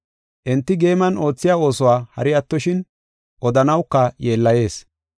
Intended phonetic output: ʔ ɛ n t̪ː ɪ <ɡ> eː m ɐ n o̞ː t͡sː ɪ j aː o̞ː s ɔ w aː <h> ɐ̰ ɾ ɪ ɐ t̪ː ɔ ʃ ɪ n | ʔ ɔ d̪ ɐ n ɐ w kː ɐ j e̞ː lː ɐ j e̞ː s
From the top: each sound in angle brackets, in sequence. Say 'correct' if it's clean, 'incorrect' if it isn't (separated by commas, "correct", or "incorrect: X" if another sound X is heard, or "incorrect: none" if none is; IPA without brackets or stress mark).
correct, correct